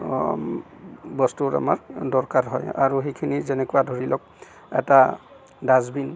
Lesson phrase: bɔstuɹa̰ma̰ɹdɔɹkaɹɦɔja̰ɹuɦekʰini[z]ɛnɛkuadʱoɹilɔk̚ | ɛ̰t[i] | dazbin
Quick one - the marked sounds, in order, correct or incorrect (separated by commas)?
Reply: correct, incorrect